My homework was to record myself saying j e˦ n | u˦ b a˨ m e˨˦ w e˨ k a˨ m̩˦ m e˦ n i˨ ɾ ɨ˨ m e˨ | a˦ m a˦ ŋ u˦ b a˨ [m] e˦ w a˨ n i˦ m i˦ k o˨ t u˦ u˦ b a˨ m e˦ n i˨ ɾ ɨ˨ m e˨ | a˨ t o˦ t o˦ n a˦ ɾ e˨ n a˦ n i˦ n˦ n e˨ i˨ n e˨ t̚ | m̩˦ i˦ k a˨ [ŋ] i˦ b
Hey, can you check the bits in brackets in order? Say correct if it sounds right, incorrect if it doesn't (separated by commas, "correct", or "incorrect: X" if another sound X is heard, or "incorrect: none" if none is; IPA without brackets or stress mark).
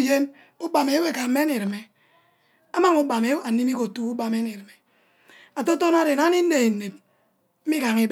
correct, correct